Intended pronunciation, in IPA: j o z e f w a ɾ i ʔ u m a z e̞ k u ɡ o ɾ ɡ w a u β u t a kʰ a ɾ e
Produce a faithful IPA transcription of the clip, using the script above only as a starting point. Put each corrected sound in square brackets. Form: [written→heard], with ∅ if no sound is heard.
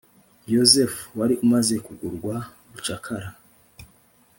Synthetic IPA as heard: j o z e f w a ɾ i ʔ u m a z e̞ k u ɡ [o→u] ɾ ɡ w a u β u [t→t͡ʃ] a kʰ a ɾ [e→a]